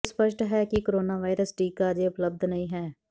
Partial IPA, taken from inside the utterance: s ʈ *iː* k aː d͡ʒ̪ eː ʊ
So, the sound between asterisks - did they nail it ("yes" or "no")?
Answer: yes